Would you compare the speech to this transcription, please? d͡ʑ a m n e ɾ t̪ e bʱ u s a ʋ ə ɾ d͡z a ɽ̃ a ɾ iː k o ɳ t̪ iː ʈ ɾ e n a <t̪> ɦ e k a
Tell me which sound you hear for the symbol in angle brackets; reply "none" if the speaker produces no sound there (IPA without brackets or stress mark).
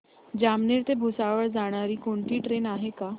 none